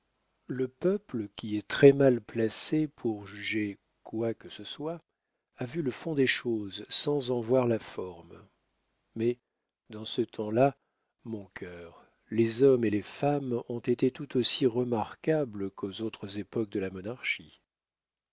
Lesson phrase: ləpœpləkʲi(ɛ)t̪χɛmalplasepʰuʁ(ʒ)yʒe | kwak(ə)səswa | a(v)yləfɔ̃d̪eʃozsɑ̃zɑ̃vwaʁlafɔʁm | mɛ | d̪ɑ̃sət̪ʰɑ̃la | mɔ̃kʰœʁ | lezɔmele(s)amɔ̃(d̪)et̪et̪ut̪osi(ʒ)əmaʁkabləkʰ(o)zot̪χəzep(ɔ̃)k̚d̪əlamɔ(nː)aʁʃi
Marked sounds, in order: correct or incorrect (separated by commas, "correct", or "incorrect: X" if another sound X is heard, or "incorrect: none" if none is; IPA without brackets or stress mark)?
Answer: correct, correct, correct, correct, incorrect: f, incorrect: t̪, incorrect: ʁ, correct, incorrect: ɔ, incorrect: n